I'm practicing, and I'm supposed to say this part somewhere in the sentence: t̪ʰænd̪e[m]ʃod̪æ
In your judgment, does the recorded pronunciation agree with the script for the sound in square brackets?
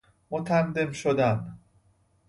yes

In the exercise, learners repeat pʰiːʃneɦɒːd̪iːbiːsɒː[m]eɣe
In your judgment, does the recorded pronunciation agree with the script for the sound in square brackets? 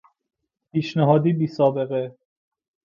no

